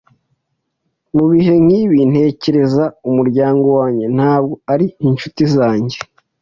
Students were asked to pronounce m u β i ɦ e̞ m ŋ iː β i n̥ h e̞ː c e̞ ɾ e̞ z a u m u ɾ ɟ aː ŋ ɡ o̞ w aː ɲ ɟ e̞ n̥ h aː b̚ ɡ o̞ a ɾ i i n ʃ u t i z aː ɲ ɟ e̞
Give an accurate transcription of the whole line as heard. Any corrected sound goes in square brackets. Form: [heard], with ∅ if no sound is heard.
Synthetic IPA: m u β i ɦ e̞ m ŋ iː β i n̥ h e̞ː c e̞ ɾ e̞ z a u m u ɾ ɟ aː ŋ ɡ o̞ w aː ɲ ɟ e̞ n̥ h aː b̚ ɡ o̞ a ɾ i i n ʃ u t i z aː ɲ ɟ e̞